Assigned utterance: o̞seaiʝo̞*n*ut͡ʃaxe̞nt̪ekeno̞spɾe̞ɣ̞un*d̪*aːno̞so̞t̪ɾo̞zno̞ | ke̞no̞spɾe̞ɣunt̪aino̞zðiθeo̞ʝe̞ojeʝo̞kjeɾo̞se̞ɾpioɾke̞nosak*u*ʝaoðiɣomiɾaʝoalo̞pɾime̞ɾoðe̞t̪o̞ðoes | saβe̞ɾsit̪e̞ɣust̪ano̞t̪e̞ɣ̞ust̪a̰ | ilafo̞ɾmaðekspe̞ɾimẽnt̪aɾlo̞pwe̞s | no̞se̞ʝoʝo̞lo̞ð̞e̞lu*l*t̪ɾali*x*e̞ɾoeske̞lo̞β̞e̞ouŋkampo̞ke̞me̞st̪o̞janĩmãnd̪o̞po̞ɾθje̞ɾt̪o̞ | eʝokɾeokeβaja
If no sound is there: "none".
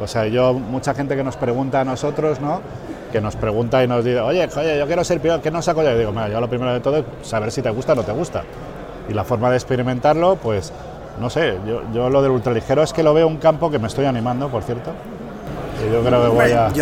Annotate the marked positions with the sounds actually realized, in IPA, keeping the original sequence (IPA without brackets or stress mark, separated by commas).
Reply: m, t̪, o, l, x